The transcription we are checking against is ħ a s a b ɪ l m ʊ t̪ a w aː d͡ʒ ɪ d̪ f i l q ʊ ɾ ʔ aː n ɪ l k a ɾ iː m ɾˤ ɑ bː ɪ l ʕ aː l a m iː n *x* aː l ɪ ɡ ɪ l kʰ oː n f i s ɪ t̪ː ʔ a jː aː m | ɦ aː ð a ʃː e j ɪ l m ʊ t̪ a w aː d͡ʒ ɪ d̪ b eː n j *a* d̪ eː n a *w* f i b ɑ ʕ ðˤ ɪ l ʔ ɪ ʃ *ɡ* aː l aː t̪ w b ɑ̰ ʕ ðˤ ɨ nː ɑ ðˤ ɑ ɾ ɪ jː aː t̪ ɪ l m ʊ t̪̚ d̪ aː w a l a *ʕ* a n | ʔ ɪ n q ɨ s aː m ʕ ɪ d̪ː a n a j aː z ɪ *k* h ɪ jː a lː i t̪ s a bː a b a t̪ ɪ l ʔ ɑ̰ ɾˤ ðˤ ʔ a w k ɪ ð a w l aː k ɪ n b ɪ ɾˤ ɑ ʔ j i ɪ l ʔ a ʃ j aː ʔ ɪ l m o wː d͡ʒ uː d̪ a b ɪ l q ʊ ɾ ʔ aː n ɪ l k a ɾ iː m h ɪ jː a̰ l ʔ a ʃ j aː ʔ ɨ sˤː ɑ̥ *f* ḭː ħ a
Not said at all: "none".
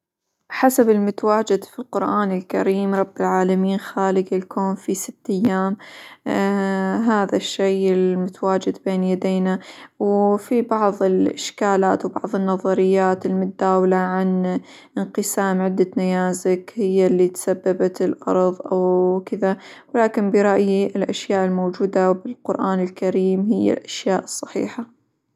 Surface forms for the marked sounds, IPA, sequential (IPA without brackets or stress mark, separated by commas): x, a, w, k, ʕ, k, ħ